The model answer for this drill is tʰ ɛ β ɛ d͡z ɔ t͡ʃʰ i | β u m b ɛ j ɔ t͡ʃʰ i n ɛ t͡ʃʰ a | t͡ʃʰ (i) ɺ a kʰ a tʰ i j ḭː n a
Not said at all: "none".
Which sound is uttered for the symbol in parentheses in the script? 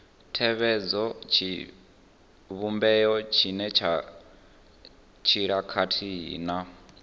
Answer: i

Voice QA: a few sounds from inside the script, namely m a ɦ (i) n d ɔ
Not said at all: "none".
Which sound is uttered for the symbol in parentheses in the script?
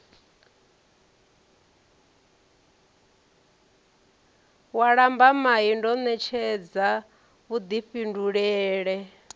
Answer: i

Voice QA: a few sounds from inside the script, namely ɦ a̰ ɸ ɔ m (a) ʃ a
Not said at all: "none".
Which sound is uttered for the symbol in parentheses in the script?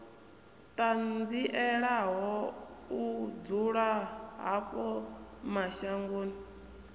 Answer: a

